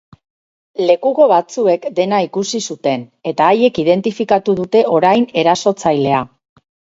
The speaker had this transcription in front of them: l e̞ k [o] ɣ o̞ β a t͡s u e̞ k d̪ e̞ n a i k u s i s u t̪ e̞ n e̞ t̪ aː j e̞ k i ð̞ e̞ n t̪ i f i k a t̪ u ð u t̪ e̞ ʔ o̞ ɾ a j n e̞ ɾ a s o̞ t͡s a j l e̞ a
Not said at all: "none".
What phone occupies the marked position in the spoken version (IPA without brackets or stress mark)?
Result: u